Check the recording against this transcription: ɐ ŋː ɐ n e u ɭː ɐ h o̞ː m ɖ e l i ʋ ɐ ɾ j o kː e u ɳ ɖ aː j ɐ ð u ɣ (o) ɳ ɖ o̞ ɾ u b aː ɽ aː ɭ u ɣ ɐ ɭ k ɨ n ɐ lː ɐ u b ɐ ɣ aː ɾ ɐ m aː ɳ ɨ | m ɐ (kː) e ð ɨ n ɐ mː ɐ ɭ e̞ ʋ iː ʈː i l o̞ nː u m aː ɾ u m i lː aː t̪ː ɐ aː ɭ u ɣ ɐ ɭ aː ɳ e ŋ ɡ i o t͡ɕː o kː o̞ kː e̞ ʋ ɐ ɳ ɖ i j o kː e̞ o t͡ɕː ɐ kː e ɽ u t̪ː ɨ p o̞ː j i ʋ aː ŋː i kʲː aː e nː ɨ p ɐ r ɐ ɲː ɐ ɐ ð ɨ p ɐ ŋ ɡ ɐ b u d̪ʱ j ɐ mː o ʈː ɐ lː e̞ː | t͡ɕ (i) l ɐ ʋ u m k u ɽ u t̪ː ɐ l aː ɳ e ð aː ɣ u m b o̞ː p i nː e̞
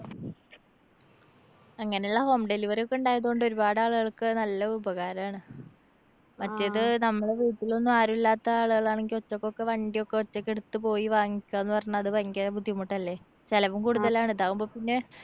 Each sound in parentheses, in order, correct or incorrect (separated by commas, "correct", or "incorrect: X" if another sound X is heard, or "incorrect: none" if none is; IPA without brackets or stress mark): correct, incorrect: tː, incorrect: e